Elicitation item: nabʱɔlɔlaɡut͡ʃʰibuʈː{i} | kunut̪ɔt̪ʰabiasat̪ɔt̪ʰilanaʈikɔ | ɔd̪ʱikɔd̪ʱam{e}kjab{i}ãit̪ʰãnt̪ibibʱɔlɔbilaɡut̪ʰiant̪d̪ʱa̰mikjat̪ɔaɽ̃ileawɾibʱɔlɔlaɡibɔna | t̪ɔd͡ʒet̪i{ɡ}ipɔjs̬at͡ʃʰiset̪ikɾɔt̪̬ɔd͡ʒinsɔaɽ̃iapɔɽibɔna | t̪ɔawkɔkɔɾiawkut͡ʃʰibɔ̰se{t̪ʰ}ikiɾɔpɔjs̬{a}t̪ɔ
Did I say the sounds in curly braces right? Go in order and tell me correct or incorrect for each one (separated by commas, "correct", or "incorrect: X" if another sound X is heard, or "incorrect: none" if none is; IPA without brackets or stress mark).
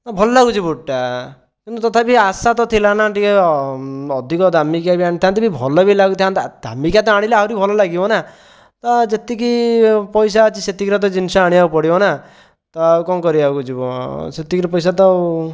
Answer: incorrect: a, incorrect: i, correct, incorrect: k, incorrect: t̪, correct